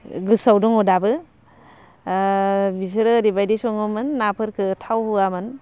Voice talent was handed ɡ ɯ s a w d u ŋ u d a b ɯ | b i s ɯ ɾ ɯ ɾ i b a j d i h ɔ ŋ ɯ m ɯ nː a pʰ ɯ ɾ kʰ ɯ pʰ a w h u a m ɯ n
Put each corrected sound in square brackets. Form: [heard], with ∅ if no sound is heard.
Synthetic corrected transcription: ɡ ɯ s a w d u ŋ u d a b ɯ | b i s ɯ ɾ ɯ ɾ i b a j d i [s] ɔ ŋ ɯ m ɯ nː a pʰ ɯ ɾ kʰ ɯ [tʰ] a w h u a m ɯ n